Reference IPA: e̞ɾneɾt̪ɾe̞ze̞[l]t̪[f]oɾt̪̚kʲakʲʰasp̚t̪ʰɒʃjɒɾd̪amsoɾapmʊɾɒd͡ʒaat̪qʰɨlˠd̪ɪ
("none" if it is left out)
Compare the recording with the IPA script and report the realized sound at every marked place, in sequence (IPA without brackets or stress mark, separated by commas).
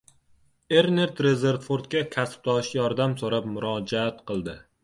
ɾ, f